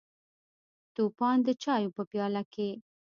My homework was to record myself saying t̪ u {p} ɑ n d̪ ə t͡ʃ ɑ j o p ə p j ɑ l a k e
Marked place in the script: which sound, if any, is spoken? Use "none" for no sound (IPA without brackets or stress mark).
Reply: p